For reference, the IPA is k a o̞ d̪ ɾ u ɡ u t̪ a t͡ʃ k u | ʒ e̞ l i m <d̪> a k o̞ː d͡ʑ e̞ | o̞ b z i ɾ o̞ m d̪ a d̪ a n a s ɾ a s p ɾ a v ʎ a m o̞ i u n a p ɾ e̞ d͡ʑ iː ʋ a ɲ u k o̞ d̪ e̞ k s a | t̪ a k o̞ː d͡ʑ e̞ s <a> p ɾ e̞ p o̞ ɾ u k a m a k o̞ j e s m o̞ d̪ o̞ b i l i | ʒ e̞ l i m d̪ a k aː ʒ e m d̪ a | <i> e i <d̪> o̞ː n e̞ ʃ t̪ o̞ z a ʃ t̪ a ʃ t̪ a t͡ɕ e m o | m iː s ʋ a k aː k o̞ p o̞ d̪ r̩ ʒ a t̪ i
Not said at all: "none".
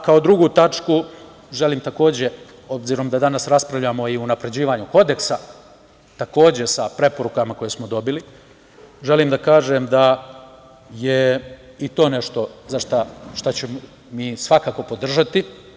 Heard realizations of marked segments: t̪, a, j, t̪

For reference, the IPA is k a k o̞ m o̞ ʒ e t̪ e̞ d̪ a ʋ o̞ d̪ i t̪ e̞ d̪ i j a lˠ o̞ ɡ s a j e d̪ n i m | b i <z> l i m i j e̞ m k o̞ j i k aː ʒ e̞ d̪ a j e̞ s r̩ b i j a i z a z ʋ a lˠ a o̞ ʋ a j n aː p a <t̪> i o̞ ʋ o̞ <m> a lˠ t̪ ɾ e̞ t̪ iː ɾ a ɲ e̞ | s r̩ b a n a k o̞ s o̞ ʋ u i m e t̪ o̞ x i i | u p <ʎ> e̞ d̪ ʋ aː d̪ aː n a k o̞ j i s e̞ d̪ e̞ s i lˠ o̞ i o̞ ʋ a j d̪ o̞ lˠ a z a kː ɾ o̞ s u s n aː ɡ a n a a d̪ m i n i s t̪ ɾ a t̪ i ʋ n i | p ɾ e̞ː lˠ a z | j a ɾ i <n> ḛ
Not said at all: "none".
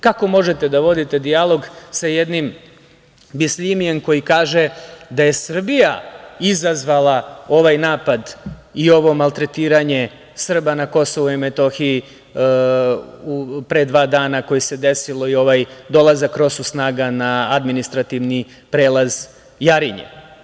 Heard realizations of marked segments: s, d̪, m, ɾ, ɲ

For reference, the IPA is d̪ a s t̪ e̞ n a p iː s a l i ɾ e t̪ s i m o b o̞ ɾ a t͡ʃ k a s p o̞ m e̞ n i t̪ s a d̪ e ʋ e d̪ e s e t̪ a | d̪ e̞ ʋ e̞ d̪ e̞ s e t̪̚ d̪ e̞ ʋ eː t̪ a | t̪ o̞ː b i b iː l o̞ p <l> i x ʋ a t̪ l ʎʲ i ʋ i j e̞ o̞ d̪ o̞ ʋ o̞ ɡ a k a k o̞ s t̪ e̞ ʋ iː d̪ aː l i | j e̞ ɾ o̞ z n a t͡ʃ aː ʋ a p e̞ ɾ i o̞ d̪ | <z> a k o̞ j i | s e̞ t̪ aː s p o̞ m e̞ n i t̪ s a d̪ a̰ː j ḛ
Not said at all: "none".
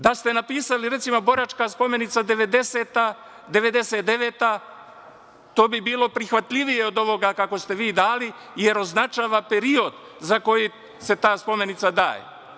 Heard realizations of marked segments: ɾ, z

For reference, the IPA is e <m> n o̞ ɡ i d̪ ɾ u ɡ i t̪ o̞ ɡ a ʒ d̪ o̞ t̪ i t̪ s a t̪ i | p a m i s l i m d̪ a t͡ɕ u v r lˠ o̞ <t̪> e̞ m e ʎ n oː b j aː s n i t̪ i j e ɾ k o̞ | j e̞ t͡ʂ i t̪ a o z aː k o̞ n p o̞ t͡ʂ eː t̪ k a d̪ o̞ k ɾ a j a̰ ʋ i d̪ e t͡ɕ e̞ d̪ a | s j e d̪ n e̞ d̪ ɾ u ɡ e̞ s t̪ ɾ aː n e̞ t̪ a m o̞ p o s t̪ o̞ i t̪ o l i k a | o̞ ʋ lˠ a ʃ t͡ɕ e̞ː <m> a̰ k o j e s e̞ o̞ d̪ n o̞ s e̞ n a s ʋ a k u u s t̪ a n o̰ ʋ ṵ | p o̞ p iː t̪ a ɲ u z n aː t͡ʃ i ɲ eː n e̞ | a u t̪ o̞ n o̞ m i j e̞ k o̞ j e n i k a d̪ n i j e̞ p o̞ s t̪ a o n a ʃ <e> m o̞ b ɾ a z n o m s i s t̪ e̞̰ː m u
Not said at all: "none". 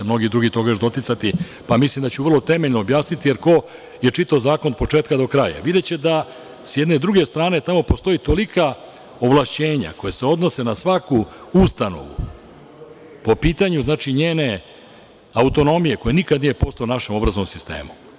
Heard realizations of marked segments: m, t̪, ɲ, e

